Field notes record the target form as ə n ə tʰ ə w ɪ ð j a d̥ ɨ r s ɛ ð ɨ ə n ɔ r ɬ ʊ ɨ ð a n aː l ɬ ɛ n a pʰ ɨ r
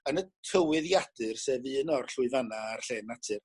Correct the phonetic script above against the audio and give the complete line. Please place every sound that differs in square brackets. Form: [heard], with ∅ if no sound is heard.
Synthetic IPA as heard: ə n ə tʰ ə w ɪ ð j a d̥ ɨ r s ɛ [v] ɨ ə n ɔ r ɬ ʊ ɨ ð a n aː [r] ɬ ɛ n a [tʰ] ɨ r